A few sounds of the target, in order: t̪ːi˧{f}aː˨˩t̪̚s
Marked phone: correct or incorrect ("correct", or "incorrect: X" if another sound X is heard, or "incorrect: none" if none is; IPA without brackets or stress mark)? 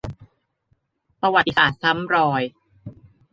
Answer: incorrect: s